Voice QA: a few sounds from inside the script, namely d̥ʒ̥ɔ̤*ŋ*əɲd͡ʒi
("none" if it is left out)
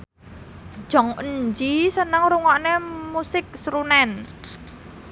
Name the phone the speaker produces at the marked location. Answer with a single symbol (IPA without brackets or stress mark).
ŋ